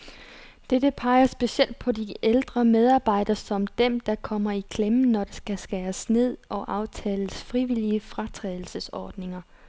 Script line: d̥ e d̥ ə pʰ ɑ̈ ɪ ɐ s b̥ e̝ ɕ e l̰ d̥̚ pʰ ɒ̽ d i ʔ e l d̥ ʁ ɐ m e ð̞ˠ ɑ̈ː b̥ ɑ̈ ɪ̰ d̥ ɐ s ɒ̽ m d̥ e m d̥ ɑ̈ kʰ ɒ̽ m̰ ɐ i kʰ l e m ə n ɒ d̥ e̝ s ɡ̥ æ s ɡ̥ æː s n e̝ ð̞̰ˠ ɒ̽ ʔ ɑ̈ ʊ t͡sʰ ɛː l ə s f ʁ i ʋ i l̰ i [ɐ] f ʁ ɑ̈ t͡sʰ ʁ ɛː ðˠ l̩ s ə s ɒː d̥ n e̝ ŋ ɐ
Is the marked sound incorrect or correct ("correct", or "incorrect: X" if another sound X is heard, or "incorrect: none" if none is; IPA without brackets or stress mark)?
incorrect: ə